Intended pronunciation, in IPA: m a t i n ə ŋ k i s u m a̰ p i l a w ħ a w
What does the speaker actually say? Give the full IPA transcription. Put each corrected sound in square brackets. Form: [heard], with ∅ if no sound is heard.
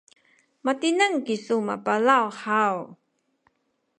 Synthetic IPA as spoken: m a t i n ə ŋ k i s u m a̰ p [a] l a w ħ a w